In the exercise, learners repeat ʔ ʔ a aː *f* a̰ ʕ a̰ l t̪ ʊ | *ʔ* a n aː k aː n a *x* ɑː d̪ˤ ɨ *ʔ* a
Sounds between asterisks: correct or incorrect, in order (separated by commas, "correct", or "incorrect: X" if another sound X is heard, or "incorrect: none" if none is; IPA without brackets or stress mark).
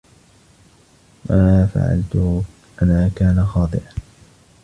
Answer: correct, correct, correct, correct